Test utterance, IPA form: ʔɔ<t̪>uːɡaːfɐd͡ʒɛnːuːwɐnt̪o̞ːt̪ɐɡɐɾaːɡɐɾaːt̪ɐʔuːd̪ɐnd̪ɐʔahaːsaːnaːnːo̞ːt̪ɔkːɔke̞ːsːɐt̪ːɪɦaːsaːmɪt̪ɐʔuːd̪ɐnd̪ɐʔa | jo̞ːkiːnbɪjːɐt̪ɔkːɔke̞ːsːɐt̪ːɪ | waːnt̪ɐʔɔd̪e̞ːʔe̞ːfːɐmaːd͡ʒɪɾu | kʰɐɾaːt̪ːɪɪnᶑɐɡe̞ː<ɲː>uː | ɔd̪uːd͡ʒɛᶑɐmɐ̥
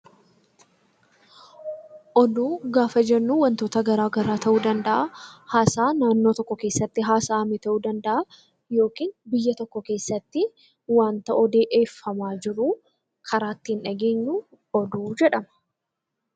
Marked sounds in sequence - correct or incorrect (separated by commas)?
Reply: incorrect, correct